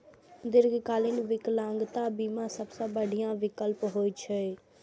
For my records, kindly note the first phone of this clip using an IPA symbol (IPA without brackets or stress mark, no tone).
d̪